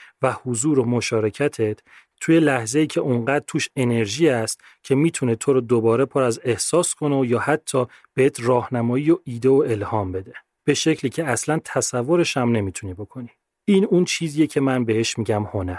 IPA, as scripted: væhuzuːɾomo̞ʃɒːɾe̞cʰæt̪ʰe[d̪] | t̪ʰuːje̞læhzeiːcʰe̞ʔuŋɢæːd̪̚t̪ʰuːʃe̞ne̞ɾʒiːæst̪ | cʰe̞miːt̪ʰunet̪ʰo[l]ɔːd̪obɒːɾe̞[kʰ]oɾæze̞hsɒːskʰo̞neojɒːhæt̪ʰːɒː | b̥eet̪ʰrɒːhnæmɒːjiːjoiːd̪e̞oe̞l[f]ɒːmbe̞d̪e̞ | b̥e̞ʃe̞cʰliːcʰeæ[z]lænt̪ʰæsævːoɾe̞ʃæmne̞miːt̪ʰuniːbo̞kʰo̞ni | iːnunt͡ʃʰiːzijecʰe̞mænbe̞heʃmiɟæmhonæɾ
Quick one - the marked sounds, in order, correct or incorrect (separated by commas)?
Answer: incorrect, incorrect, incorrect, incorrect, incorrect